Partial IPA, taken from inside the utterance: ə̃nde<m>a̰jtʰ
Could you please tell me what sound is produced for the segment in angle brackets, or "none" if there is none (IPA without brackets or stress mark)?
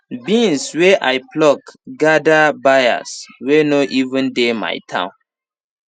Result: m